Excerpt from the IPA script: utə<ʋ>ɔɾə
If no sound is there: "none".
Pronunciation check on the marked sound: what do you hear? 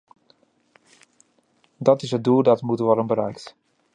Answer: ʋ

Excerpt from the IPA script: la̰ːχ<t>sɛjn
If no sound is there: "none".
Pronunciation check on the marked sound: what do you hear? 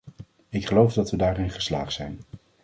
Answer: t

